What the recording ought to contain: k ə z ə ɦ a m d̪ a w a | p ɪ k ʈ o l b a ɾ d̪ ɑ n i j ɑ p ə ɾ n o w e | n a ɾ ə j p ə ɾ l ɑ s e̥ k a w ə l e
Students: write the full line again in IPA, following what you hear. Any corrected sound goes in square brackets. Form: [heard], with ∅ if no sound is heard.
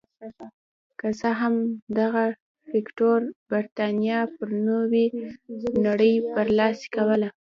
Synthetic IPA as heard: k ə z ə ɦ a m d̪ a [ɣ] a | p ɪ k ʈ o [ɾ] b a ɾ [t̪] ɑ n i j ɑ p ə ɾ n o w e | n a [ɽ] ə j p ə ɾ l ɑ s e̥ k a w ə l [a]